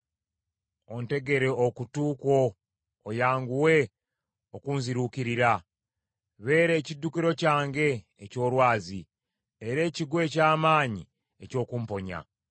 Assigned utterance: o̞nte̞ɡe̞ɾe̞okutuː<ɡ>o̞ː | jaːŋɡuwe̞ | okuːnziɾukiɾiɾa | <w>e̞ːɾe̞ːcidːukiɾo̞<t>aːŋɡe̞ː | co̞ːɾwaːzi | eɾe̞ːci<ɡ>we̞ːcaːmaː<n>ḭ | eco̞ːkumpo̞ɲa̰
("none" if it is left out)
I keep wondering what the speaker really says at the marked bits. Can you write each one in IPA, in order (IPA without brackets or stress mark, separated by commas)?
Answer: k, β, c, ɡ, ɲ